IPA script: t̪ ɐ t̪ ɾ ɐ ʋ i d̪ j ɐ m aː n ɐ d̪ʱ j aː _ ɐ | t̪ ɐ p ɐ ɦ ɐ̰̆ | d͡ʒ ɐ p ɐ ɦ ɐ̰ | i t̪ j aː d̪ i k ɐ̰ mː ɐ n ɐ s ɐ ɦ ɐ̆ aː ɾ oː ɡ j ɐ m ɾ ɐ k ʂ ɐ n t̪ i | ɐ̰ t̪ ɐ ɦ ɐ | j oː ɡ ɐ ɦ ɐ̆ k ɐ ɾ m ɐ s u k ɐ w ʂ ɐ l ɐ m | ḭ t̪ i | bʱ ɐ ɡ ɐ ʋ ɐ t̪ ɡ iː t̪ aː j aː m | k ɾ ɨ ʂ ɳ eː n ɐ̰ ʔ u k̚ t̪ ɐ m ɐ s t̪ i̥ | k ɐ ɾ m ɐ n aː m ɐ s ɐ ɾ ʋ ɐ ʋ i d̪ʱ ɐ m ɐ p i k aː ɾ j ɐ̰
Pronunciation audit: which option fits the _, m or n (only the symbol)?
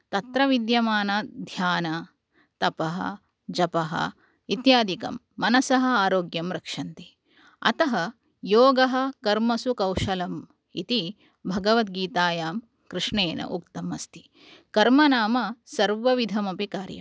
n